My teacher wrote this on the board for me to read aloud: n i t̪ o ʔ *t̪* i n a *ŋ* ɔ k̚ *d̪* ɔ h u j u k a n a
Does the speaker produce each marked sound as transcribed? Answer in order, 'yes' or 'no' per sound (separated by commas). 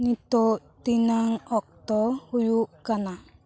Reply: yes, yes, no